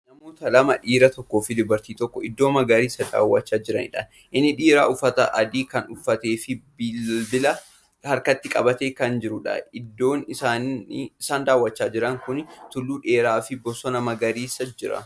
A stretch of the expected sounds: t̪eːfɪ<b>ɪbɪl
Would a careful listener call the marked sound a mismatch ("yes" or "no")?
no